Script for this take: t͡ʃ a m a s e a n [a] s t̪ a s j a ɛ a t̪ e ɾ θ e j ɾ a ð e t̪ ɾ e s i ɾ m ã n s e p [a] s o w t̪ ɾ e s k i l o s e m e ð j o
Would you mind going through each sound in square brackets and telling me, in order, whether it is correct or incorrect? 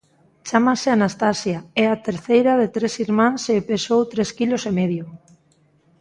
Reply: correct, incorrect

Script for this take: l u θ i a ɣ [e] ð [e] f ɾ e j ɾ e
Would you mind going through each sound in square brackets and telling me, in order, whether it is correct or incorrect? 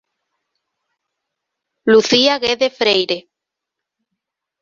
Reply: correct, correct

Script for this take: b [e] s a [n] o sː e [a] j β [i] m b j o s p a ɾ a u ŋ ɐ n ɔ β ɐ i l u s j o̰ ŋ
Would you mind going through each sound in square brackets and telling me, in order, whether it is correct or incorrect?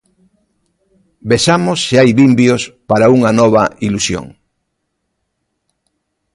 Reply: correct, incorrect, correct, correct

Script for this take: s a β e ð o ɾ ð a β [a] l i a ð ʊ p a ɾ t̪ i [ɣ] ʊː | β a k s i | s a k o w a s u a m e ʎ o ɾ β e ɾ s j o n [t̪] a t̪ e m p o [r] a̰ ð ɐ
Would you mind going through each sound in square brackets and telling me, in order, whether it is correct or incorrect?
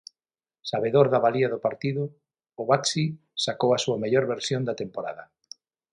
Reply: correct, incorrect, incorrect, incorrect

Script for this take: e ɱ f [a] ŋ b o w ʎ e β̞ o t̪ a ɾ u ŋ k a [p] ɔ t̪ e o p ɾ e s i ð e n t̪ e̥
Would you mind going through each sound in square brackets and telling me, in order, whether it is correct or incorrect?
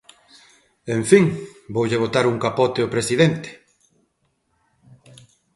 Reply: incorrect, correct

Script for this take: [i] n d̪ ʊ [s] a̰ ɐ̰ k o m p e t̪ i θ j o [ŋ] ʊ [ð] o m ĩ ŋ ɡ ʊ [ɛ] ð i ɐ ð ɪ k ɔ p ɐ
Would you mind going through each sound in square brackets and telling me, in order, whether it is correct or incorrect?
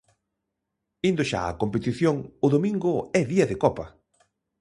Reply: correct, incorrect, correct, correct, correct

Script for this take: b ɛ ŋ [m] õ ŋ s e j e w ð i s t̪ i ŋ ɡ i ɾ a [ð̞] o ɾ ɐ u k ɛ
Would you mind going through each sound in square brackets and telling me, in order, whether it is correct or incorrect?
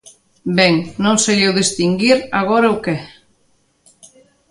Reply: incorrect, incorrect

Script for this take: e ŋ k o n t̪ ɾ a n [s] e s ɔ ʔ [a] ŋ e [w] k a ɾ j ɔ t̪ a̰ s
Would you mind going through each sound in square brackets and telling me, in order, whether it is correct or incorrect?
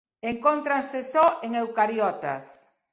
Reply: correct, incorrect, correct

